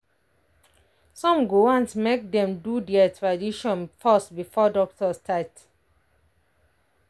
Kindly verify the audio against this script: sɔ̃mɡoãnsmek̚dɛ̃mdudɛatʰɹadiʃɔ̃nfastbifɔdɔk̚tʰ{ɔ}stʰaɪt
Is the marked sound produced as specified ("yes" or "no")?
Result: yes